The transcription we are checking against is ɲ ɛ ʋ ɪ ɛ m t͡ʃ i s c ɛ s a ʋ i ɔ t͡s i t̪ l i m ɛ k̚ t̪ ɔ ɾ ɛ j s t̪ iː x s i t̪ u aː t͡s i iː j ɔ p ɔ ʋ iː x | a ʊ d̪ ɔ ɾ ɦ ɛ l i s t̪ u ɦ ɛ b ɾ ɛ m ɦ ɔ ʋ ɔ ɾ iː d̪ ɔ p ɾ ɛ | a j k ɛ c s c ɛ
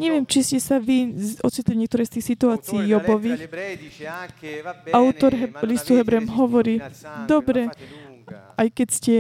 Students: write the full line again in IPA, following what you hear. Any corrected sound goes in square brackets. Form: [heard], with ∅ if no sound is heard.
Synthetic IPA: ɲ ɛ ʋ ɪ ɛ m t͡ʃ i s c ɛ s a ʋ i ɔ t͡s i t̪ l i [ɲ] ɛ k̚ t̪ ɔ ɾ ɛ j s t̪ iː x s i t̪ u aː t͡s i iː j ɔ [b] ɔ ʋ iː x | a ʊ [t̪] ɔ ɾ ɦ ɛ l i s t̪ u ɦ ɛ b ɾ ɛ m ɦ ɔ ʋ ɔ ɾ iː d̪ ɔ [b] ɾ ɛ | a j k ɛ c s c ɛ